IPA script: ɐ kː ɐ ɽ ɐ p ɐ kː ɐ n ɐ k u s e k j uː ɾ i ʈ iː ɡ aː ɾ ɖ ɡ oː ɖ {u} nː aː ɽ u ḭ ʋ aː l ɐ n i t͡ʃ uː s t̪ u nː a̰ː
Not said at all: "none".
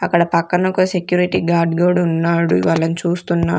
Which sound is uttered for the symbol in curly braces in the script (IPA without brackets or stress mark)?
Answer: u